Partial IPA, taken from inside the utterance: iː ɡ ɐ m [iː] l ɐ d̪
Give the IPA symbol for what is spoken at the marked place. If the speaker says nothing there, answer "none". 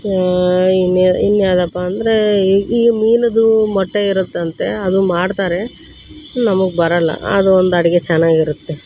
iː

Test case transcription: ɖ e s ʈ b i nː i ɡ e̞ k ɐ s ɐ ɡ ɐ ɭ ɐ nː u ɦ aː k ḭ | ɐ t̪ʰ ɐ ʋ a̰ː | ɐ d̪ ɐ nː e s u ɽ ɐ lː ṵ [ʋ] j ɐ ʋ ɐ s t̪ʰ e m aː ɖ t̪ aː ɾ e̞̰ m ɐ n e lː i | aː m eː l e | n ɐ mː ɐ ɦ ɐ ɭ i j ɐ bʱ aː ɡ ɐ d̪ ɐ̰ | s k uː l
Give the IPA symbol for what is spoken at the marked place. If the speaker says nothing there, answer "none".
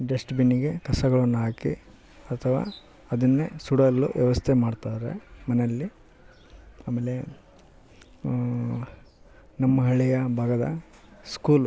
ʋ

